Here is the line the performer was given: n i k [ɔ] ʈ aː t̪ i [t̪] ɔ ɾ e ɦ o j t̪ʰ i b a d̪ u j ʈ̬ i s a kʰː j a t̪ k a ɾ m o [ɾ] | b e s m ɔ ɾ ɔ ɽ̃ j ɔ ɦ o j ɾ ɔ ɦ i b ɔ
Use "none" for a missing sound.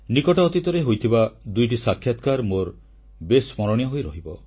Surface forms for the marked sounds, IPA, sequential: ɔ, t̪, ɾ

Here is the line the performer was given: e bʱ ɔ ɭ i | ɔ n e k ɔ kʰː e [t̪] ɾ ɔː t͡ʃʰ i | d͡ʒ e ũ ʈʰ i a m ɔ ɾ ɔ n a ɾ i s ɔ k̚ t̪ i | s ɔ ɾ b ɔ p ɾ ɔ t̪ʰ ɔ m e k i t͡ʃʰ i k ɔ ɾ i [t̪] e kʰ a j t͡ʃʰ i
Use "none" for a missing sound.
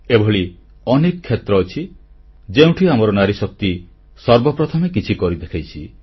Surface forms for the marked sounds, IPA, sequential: t̪, d̪

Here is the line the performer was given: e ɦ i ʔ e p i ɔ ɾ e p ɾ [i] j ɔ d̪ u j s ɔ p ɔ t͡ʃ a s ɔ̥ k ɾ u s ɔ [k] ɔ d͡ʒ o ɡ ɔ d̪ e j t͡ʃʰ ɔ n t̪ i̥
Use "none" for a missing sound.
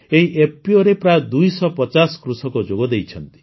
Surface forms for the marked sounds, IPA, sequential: a, k

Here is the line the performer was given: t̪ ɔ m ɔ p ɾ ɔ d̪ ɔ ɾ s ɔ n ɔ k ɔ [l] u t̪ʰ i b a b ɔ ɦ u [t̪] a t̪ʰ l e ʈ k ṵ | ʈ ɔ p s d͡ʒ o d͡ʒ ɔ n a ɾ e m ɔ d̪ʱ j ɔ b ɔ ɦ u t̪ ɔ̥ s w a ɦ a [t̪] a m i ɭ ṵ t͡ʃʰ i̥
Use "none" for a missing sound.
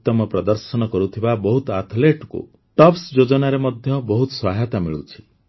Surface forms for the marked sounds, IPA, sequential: ɾ, t̪, t̪

